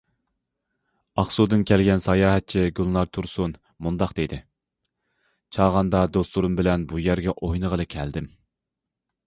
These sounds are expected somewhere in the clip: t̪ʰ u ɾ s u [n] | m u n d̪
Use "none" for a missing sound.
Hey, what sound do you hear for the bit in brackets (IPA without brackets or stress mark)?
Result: n